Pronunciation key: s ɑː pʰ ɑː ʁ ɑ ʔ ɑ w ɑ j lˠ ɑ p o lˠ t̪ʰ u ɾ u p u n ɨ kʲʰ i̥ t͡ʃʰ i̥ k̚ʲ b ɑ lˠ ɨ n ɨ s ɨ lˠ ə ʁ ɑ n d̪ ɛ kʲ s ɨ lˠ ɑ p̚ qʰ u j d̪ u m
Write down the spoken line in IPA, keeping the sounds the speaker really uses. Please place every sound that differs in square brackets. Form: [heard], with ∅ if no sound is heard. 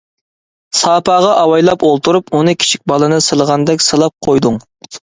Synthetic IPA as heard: s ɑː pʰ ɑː ʁ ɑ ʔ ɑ w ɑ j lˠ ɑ p o lˠ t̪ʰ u ɾ u p u n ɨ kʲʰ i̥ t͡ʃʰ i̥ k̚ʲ b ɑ lˠ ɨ n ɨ s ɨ lˠ ə ʁ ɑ n d̪ ɛ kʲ s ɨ lˠ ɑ p̚ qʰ [o] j d̪ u [ŋ]